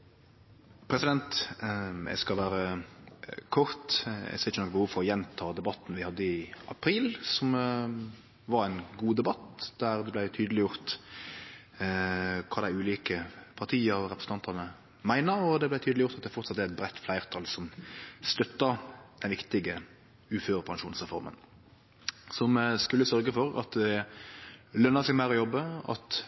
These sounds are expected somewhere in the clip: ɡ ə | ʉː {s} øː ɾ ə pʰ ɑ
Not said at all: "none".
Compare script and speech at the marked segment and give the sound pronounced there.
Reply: f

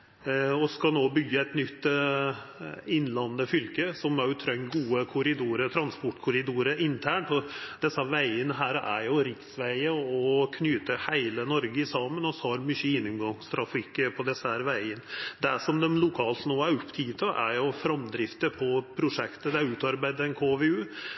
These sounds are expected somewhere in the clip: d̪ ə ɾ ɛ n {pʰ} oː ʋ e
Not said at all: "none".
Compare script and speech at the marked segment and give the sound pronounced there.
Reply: kʰ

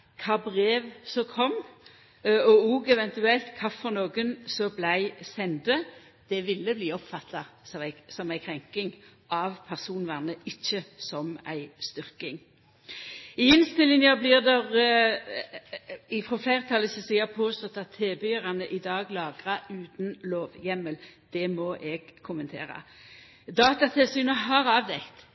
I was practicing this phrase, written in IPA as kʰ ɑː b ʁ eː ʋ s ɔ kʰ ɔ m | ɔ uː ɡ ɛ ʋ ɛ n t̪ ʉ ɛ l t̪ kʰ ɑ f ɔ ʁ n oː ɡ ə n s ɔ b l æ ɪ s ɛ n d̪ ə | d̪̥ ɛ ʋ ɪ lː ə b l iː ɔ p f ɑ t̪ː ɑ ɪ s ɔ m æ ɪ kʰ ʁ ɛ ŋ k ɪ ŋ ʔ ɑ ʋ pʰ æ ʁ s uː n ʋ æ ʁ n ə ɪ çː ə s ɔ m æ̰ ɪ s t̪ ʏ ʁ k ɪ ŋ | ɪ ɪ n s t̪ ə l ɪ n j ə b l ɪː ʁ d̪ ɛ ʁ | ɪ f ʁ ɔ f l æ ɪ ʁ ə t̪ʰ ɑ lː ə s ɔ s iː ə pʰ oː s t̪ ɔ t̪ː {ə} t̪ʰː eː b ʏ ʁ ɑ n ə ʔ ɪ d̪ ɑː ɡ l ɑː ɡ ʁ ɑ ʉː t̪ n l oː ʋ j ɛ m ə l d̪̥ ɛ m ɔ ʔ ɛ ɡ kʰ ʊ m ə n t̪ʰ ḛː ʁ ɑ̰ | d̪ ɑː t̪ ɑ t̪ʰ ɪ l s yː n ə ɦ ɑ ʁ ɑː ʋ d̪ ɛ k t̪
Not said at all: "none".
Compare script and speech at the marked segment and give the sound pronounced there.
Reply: ɑ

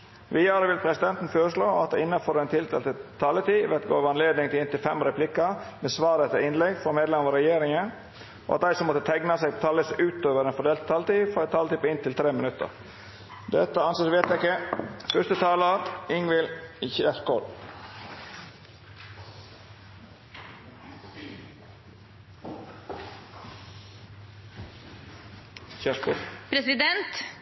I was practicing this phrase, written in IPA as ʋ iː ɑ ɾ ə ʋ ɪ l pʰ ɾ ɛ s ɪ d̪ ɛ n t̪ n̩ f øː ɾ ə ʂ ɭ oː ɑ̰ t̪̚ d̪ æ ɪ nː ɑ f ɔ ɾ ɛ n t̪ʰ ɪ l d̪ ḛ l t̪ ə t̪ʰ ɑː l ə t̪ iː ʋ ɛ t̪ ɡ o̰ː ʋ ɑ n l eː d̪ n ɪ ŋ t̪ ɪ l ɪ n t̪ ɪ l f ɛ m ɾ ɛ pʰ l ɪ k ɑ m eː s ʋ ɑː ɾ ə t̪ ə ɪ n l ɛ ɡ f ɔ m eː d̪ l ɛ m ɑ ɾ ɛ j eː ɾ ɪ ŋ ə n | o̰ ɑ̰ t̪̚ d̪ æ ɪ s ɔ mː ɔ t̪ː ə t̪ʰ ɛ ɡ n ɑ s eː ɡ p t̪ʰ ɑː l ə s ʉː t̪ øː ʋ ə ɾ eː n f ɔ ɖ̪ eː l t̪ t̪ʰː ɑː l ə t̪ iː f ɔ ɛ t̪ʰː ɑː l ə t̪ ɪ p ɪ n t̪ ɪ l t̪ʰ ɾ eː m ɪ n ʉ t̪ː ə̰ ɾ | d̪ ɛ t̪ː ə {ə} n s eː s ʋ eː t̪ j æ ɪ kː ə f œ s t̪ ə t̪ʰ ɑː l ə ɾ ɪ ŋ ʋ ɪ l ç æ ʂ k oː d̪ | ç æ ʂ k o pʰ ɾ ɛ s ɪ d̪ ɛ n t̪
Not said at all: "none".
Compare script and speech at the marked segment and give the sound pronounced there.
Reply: ɑ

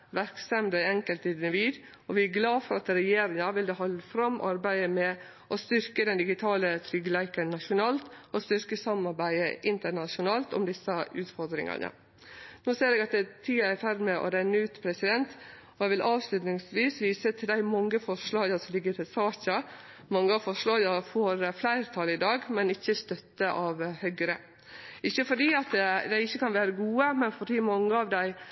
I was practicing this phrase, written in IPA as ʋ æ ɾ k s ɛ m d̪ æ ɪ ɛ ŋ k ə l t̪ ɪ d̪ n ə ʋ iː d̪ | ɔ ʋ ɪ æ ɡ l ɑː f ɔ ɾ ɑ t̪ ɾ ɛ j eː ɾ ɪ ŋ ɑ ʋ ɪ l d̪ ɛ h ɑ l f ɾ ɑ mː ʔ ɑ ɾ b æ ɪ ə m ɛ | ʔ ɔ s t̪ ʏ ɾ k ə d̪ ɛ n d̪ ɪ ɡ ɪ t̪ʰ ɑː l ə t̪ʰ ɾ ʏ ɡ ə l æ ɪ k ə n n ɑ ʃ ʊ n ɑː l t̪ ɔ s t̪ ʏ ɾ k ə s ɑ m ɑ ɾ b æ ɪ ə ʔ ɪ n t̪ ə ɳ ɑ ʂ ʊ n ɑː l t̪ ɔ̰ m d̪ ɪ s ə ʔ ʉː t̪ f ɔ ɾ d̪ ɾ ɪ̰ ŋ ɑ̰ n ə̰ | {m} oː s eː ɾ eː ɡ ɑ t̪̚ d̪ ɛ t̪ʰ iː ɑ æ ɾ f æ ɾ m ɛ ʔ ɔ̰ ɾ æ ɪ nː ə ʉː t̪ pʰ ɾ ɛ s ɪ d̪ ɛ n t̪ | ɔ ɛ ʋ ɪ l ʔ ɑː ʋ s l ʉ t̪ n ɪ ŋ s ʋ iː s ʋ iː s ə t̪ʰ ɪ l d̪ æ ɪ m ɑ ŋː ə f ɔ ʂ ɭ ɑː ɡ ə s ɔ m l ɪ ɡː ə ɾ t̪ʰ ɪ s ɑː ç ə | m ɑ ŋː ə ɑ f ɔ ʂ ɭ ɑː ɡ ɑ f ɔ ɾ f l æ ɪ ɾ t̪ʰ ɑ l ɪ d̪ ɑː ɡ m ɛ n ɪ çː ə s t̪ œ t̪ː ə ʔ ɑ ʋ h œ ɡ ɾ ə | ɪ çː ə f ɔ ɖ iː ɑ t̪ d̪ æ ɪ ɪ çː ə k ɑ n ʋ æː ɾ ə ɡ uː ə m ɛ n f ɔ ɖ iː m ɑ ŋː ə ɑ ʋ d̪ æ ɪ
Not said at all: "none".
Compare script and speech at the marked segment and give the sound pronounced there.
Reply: n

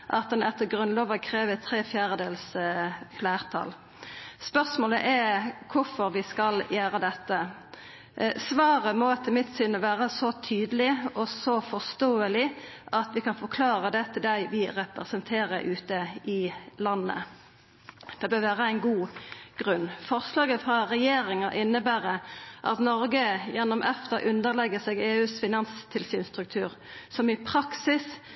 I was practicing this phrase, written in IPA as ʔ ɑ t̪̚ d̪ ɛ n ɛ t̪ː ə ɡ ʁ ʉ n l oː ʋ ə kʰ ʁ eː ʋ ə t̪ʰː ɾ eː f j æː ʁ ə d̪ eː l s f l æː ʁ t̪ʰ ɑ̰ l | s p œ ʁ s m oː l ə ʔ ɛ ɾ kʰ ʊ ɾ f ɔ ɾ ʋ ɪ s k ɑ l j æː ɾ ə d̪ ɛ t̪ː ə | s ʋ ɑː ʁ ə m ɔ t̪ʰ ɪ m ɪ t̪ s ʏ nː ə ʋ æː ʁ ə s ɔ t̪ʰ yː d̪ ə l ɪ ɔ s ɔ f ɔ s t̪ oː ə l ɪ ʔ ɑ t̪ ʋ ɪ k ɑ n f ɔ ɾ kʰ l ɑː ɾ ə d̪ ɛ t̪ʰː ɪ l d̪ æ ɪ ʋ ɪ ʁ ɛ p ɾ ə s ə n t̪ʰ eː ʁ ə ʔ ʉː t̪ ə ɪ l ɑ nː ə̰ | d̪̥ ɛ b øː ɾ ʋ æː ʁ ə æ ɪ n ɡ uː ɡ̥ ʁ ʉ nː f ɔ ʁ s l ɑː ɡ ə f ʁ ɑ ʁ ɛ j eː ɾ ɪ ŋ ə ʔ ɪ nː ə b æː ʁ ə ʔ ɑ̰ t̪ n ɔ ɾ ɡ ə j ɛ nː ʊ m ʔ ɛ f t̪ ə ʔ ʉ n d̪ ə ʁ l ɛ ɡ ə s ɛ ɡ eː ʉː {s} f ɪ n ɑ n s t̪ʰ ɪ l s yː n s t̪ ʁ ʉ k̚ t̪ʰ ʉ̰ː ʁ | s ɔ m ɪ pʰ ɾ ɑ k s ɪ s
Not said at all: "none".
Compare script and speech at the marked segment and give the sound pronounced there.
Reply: s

